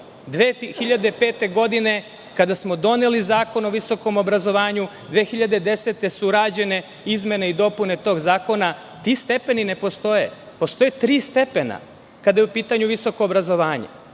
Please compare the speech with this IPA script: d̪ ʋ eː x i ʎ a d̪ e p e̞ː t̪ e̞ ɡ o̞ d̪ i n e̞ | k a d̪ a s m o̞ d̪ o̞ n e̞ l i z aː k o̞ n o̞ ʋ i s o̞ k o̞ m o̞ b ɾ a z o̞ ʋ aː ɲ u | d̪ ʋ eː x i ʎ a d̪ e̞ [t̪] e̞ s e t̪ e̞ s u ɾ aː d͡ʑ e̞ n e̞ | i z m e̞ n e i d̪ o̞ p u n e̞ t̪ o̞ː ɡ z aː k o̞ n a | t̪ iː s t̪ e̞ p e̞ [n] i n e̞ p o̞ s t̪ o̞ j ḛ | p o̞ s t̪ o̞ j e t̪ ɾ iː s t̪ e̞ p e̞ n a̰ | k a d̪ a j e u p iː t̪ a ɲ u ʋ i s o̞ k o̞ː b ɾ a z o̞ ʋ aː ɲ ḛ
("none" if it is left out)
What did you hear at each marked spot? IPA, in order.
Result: d̪, n

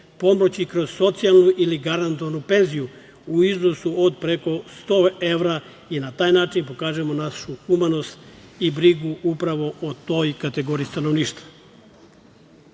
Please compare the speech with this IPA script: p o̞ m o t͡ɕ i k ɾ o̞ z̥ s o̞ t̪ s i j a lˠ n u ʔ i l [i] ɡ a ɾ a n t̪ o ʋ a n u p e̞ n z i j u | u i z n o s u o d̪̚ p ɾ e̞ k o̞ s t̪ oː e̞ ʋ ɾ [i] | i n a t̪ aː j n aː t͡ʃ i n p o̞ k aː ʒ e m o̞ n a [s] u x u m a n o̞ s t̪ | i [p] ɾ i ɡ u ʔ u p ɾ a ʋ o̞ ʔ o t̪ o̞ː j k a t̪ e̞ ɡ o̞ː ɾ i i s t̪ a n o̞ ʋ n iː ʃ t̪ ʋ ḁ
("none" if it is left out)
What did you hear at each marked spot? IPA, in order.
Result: i, a, ʃ, b

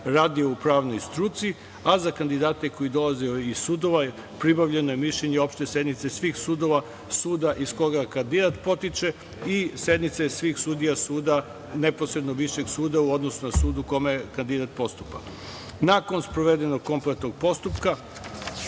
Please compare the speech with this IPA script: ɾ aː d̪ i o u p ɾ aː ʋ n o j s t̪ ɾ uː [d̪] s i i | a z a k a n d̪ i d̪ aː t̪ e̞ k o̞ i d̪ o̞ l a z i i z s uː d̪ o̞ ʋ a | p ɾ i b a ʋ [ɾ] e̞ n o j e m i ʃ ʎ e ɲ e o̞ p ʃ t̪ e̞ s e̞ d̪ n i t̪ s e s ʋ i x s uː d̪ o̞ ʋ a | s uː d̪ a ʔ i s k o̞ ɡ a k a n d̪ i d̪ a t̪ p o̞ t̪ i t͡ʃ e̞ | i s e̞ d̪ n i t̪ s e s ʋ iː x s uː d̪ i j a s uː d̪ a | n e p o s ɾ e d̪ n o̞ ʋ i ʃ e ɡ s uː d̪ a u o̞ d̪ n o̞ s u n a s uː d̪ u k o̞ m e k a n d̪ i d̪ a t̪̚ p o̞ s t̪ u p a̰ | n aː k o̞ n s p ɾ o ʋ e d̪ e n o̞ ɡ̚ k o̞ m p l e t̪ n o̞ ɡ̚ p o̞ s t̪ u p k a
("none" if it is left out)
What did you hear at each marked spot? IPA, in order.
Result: t̪, ʎ

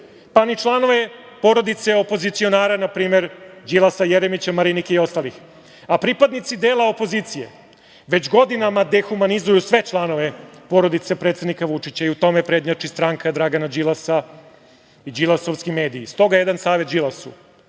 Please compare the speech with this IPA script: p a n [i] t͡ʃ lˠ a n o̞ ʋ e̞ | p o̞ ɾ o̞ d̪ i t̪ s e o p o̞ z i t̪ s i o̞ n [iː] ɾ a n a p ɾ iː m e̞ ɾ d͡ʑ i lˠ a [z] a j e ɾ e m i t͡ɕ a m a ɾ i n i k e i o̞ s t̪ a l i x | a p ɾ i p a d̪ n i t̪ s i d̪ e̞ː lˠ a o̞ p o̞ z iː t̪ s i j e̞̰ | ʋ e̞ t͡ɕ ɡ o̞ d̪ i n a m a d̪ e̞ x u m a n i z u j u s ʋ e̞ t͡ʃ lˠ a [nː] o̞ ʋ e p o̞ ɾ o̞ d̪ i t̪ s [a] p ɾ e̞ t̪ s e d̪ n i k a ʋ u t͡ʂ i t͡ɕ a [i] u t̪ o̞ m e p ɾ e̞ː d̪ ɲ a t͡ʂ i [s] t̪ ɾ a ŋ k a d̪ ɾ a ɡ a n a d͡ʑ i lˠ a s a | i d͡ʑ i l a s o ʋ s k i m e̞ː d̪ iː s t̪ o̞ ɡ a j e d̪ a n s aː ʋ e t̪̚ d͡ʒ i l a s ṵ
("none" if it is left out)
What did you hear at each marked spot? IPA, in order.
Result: i, aː, s, n, e, i, s

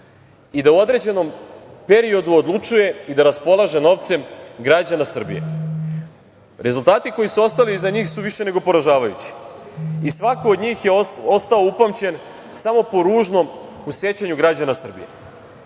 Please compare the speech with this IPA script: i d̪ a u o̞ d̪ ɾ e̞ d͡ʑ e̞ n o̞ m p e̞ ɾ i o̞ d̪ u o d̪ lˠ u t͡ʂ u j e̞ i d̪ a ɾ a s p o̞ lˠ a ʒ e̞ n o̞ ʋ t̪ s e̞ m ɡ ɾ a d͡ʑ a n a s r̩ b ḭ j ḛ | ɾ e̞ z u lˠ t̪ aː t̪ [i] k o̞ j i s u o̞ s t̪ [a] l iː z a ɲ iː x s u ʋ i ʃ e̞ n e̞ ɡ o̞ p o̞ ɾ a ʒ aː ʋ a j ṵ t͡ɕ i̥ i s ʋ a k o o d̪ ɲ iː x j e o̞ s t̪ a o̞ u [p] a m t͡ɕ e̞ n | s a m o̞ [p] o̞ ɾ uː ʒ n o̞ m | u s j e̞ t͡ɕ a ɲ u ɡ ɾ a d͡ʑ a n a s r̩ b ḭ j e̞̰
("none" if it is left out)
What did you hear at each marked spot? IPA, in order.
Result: i, a, p, p

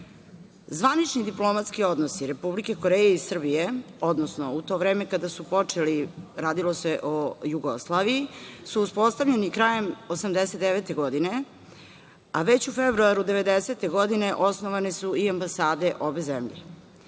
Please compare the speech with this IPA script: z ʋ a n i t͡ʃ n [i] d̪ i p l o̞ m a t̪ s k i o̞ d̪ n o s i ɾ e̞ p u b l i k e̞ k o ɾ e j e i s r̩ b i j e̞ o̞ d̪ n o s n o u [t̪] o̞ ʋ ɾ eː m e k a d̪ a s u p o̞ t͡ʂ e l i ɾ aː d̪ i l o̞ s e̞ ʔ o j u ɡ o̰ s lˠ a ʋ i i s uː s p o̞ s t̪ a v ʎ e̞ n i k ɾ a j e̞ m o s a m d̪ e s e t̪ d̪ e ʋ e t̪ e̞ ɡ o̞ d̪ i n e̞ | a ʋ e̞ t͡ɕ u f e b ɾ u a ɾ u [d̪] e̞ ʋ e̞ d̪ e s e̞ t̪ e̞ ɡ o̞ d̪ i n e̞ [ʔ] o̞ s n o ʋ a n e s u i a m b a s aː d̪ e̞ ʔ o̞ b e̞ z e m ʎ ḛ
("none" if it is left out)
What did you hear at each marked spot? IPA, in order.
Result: i, t̪, d̪, ʔ

